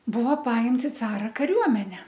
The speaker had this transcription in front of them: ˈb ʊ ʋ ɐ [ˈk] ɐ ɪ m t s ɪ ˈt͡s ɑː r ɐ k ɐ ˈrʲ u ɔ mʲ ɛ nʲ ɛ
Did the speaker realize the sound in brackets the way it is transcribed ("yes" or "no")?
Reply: no